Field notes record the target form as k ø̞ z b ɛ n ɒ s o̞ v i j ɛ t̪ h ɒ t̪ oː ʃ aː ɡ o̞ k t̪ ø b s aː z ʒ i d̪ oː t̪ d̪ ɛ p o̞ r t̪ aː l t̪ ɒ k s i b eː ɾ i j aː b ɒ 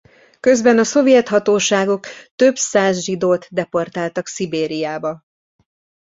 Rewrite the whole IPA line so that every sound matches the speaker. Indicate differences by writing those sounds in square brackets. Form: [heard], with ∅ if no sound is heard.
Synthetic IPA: k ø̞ z b ɛ n ɒ s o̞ v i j ɛ t̪ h ɒ t̪ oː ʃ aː ɡ o̞ k t̪ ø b s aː z ʒ i d̪ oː t̪ d̪ ɛ p o̞ r t̪ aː l t̪ ɒ k s i b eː ɾ i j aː b ɒ